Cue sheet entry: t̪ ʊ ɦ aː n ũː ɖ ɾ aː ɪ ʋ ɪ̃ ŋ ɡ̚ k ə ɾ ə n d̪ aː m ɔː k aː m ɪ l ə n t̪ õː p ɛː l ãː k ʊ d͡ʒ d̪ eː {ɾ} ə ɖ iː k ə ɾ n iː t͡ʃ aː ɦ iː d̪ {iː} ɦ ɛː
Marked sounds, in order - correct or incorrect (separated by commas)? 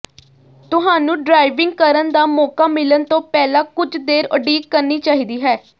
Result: correct, correct